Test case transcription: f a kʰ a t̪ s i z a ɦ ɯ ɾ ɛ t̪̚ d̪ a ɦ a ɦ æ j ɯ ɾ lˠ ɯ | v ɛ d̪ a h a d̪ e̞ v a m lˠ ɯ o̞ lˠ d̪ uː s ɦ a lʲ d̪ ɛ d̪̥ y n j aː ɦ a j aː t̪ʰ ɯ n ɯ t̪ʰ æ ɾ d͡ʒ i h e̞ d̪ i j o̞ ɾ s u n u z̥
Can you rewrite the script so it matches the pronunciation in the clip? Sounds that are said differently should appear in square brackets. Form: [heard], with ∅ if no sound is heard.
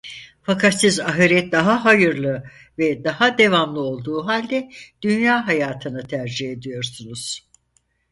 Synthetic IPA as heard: f a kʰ a t̪ s i z a ɦ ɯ ɾ ɛ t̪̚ d̪ a ɦ a ɦ [a] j ɯ ɾ lˠ ɯ | v ɛ d̪ a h a d̪ e̞ v a m lˠ ɯ o̞ lˠ d̪ uː [∅] ɦ a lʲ d̪ ɛ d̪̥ y n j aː ɦ a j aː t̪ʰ ɯ n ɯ t̪ʰ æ ɾ d͡ʒ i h e̞ d̪ i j o̞ ɾ s u n u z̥